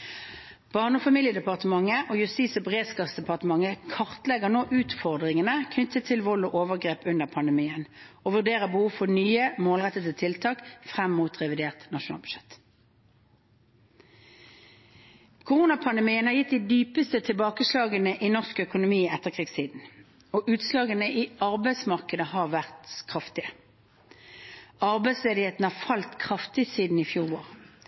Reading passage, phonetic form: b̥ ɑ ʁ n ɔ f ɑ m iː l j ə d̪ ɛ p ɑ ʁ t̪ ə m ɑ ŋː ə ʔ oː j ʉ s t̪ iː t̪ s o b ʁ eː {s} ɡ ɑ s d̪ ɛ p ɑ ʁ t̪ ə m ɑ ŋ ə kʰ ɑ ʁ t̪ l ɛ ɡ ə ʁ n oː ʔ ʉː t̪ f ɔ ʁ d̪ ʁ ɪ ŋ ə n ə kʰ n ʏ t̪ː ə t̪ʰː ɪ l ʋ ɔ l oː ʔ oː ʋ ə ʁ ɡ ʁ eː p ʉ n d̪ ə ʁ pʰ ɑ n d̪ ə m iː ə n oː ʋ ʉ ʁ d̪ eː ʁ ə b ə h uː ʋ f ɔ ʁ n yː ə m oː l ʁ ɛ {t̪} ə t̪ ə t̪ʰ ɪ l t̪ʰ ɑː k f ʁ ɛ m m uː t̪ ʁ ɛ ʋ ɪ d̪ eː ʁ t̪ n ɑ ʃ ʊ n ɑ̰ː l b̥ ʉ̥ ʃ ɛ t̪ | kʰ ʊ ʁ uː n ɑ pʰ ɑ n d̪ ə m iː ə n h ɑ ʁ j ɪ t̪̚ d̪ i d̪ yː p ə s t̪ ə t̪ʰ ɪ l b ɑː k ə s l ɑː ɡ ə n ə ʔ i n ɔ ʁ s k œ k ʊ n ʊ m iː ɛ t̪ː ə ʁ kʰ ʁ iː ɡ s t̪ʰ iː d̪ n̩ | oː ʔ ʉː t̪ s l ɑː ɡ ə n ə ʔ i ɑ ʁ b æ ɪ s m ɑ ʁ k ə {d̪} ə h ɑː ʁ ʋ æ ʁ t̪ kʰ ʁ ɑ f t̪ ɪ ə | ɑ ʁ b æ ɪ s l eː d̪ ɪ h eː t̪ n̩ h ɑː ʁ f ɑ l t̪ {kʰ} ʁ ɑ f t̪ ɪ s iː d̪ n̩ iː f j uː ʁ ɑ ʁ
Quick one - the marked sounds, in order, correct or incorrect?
correct, correct, correct, correct

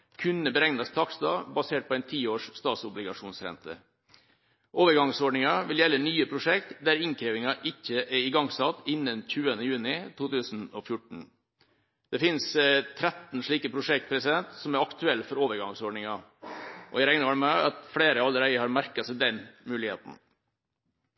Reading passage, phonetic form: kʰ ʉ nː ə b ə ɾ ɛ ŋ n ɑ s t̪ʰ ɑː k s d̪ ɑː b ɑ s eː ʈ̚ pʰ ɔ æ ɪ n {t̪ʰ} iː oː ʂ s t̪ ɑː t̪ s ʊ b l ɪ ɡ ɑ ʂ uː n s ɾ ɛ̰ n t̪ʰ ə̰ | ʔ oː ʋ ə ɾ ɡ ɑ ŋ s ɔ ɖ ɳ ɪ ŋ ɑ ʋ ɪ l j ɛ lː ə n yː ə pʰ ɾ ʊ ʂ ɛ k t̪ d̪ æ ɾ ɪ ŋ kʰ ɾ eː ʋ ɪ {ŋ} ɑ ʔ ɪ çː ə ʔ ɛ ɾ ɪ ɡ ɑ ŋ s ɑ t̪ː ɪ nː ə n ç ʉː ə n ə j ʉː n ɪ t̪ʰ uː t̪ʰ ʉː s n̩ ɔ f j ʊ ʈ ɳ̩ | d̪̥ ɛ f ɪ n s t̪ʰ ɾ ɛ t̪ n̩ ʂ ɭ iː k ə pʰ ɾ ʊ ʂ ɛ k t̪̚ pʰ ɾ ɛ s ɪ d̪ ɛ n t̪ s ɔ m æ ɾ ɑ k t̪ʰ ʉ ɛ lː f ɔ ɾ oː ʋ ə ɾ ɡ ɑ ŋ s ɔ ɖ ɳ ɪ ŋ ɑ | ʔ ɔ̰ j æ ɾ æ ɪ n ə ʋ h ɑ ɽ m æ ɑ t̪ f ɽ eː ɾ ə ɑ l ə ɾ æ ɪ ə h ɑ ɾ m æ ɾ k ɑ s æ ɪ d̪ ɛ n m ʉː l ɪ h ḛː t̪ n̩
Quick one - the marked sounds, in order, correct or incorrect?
correct, correct

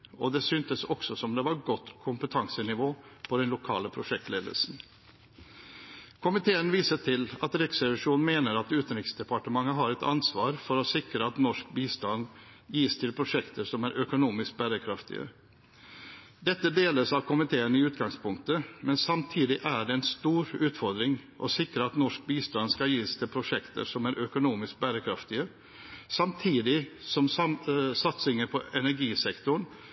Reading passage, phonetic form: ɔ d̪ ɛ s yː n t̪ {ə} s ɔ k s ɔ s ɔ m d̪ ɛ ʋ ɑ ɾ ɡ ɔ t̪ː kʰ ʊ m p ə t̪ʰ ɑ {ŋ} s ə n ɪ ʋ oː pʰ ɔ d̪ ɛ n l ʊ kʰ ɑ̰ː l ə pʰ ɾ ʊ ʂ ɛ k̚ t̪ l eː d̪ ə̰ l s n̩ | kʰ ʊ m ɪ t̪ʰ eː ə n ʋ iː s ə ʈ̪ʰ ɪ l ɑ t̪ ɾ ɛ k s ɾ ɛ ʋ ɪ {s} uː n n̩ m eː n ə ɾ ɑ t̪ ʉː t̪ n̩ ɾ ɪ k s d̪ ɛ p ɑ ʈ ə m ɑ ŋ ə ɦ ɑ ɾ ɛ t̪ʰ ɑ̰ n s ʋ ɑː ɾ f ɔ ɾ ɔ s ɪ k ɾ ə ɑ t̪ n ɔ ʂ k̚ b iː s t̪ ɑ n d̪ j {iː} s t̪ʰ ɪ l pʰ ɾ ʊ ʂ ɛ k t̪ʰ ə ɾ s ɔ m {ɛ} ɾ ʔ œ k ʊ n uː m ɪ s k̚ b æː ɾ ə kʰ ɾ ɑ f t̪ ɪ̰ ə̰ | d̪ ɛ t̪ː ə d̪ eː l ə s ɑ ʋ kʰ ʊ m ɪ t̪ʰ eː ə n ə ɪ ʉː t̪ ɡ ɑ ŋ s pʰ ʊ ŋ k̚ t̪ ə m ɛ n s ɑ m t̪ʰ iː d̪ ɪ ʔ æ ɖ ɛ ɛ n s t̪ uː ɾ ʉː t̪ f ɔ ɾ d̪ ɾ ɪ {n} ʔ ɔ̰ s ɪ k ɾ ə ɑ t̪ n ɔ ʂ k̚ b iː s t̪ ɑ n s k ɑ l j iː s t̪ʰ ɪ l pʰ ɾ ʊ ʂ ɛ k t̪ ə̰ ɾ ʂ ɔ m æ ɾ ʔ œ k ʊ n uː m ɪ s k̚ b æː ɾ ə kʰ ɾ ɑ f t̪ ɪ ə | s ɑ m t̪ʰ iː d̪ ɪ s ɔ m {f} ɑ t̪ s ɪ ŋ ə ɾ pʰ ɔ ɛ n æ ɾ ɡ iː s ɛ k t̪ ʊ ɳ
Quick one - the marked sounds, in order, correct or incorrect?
correct, correct, incorrect, correct, incorrect, incorrect, incorrect

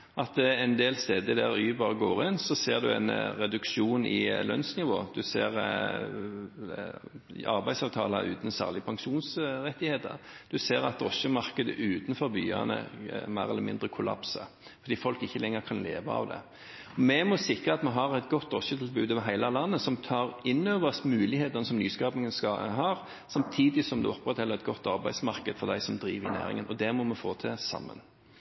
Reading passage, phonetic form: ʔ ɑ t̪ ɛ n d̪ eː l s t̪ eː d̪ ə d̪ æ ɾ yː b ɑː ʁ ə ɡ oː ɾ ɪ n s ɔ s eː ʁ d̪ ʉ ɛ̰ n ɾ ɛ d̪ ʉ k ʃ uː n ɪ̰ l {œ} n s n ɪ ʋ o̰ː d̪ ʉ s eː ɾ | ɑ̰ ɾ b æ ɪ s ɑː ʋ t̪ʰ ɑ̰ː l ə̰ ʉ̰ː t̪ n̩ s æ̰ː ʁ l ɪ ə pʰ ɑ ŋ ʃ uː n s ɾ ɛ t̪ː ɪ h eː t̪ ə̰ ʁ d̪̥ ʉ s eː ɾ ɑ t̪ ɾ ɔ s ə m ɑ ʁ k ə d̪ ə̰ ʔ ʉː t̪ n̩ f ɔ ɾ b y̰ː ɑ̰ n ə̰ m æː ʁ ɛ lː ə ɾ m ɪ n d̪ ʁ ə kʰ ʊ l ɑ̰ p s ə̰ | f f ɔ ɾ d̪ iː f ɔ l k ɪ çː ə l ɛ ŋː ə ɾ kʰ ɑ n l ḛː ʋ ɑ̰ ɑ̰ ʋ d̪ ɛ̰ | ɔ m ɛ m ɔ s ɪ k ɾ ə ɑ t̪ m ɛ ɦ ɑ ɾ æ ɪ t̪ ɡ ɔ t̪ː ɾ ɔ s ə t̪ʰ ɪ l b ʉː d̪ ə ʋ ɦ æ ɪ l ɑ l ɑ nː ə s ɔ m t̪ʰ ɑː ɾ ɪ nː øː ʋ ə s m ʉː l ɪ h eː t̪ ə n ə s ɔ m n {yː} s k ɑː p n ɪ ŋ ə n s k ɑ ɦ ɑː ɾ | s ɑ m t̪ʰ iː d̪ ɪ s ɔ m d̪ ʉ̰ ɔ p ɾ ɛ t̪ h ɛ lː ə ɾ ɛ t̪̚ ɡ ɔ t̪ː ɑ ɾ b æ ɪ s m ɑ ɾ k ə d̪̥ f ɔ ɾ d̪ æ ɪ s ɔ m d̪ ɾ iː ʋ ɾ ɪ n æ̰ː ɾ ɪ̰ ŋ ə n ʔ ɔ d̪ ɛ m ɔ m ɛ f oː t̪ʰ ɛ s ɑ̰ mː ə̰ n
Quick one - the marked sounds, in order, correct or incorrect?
correct, correct

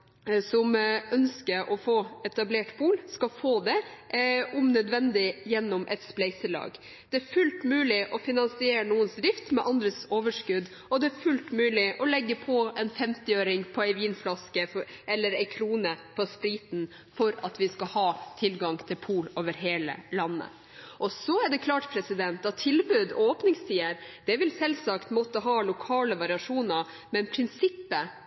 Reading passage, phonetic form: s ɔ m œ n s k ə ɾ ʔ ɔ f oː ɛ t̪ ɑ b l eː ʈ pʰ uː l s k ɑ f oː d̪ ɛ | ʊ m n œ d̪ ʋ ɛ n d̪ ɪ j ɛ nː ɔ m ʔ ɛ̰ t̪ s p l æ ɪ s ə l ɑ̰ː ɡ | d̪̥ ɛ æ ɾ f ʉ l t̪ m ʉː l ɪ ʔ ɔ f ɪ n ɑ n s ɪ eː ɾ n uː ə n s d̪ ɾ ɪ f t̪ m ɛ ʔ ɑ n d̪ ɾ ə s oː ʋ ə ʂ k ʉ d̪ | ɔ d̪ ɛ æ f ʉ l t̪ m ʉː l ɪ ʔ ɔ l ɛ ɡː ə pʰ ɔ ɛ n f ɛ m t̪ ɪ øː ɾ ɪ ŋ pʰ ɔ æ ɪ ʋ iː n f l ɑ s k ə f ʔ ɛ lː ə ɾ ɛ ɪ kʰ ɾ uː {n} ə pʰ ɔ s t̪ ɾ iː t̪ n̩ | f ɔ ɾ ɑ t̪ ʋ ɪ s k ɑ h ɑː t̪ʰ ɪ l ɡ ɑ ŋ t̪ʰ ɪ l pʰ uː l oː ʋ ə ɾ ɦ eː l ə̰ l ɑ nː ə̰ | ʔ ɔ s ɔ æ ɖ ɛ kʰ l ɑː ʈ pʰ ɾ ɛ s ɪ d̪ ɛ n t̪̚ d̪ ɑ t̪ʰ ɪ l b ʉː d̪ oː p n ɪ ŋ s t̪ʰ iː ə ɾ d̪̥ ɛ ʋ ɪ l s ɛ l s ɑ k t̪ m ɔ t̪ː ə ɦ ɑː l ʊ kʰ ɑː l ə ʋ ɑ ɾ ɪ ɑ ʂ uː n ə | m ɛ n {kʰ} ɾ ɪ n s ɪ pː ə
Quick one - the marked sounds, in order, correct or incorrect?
correct, incorrect

